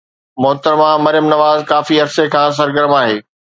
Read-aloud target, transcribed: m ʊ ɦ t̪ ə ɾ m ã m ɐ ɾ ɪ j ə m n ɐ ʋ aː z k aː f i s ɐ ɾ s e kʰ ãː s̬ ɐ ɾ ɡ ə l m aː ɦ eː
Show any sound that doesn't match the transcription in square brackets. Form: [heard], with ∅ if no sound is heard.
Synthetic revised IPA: m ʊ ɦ t̪ ə ɾ m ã m ɐ ɾ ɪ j ə m n ɐ ʋ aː z k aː f i [∅] ɐ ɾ s e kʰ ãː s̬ ɐ ɾ ɡ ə [ɾ] m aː ɦ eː